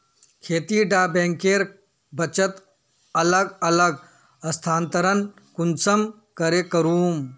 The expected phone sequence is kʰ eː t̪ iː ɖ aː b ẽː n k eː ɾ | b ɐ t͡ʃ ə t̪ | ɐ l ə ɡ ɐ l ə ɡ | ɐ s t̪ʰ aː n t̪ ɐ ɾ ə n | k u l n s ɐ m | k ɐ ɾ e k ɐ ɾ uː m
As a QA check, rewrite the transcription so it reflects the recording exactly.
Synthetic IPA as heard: kʰ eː t̪ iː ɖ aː b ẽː ŋ k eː ɾ | b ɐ t͡ʃ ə t̪ | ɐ l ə ɡ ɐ l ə ɡ | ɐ s t̪ʰ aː n t̪ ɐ ɾ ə n | k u n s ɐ m | k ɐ ɾ e k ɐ ɾ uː m